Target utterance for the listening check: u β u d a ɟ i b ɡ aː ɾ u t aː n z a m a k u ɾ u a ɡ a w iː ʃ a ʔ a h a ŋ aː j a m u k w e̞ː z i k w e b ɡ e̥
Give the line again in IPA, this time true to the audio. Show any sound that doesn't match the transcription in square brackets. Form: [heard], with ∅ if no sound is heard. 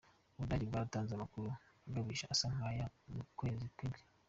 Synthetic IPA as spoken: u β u d a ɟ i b ɡ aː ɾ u t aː n z a m a k u ɾ u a ɡ a [β] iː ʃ a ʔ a [s] a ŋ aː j a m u k w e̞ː z i k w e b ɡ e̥